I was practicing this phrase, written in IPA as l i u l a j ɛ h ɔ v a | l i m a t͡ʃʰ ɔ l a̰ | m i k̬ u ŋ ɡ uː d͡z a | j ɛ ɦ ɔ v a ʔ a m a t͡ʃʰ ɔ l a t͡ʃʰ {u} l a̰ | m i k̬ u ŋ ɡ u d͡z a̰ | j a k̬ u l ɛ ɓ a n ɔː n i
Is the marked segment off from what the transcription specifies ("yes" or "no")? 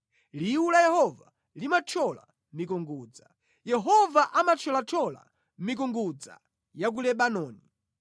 yes